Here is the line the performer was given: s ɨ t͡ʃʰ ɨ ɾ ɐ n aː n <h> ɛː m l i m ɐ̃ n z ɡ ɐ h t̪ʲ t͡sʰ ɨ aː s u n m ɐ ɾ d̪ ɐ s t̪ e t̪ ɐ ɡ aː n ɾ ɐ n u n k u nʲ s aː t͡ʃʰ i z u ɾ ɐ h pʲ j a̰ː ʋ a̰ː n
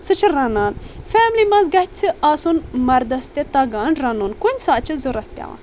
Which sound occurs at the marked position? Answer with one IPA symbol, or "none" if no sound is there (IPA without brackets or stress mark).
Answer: f